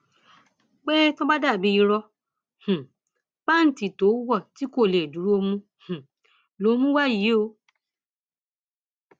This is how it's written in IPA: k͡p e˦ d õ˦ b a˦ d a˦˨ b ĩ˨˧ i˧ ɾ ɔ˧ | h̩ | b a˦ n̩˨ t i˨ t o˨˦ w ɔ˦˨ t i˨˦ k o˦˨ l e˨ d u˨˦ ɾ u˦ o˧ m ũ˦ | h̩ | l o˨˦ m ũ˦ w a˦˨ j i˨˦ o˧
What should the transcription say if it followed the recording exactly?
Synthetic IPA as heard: k͡p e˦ t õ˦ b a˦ d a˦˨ b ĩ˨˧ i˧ ɾ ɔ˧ | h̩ | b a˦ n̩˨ t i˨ t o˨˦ w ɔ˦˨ t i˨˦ k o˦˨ l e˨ d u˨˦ ɾ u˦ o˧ m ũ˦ | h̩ | l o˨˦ m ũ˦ w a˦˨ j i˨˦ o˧